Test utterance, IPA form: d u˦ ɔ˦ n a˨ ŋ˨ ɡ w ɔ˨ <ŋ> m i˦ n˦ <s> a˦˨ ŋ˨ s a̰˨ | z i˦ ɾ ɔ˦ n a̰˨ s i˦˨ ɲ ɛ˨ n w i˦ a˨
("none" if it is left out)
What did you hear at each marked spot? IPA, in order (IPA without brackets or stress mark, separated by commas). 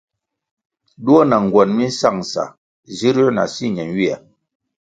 n, s